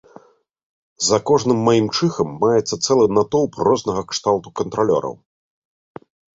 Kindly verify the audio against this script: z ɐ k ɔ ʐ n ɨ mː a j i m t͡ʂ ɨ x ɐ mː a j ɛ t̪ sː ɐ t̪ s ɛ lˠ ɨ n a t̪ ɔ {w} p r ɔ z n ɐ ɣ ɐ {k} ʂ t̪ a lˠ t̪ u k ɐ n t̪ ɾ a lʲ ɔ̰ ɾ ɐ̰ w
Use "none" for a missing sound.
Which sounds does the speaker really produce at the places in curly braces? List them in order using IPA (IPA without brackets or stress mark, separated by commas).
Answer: w, k